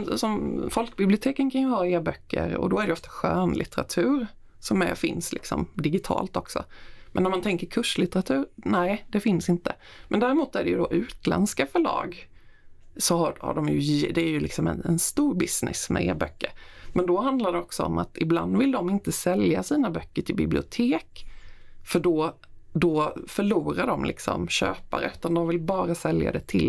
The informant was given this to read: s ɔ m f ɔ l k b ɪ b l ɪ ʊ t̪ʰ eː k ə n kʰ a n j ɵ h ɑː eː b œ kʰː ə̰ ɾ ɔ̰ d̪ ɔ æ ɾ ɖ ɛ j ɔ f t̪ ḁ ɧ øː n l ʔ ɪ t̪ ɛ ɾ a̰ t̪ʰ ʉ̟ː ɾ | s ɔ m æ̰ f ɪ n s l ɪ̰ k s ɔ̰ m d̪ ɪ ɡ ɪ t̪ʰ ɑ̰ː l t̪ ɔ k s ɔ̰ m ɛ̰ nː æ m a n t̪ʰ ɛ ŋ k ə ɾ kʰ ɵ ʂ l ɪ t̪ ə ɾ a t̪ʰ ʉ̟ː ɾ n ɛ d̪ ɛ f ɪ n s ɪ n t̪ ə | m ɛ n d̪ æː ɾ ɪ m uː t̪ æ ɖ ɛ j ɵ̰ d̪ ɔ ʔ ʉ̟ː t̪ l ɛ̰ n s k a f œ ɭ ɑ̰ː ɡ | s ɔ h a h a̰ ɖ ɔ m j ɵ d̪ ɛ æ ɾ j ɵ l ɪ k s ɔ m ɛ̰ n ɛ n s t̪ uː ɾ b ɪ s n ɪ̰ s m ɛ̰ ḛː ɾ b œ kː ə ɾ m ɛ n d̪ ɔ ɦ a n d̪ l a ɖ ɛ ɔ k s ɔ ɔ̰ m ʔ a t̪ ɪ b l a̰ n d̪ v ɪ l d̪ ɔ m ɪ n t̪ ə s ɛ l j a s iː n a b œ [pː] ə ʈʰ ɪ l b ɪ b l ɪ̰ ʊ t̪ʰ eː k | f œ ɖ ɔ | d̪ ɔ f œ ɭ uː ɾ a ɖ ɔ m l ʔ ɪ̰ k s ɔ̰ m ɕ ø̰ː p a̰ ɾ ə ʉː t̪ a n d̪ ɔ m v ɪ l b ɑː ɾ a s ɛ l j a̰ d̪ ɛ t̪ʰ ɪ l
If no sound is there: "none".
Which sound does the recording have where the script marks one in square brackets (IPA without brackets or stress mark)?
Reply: kː